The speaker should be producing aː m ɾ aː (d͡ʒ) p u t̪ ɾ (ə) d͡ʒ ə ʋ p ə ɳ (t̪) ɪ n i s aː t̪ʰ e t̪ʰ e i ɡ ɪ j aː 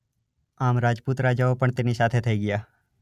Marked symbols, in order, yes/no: yes, no, yes

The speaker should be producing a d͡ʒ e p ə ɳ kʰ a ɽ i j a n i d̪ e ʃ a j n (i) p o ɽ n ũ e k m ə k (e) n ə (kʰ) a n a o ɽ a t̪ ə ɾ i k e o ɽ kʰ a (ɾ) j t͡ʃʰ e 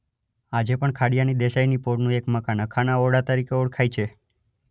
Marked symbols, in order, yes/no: yes, no, yes, no

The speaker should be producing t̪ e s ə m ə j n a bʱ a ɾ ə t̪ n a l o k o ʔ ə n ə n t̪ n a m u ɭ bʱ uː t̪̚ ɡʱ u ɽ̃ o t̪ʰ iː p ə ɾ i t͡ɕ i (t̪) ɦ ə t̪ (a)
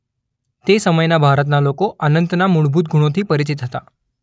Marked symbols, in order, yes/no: yes, yes

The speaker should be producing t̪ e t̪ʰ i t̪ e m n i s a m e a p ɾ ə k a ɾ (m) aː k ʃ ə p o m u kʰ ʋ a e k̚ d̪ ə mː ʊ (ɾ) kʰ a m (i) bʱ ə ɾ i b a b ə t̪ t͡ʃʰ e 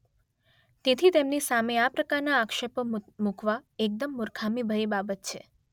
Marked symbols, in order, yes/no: no, yes, yes

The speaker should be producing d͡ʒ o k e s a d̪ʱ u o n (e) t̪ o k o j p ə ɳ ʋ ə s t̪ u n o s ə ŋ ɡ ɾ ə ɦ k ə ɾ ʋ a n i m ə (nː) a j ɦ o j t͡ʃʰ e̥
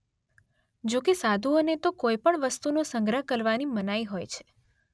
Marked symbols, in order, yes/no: yes, no

